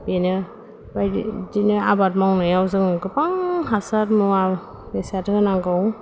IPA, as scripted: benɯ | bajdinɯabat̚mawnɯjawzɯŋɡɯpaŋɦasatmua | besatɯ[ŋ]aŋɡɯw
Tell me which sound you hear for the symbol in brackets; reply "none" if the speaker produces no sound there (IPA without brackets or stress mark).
n